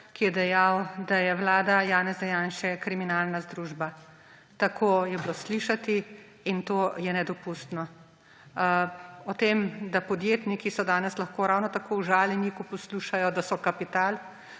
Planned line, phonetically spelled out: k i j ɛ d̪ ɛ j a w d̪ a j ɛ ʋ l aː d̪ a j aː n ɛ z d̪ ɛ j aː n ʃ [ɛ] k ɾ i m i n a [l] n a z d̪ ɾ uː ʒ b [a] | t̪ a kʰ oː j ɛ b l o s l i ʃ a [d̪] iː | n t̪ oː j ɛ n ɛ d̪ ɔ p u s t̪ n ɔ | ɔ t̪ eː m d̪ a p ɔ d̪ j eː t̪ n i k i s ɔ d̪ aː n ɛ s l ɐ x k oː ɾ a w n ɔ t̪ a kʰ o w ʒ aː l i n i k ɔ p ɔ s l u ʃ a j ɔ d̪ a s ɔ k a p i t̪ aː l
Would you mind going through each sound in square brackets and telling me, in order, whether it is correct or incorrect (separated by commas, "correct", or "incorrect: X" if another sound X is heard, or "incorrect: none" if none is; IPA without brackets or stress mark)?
correct, correct, correct, incorrect: t̪